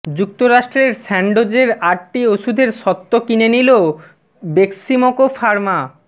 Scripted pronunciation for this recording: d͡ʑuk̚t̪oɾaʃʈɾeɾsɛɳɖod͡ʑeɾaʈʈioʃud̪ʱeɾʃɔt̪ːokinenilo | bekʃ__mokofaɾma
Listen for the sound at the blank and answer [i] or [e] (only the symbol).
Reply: i